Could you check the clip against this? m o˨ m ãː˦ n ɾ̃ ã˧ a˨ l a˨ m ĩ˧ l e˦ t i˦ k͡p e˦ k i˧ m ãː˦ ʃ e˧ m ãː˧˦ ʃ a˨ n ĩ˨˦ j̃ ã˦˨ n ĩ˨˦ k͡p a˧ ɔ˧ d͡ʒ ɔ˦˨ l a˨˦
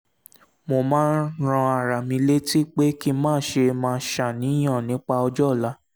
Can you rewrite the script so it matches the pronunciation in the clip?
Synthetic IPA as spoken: m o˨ m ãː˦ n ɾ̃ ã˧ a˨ ɾ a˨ m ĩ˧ l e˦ t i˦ k͡p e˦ k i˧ m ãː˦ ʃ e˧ m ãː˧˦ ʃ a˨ n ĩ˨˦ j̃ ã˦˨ n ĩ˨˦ k͡p a˧ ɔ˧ d͡ʒ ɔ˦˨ l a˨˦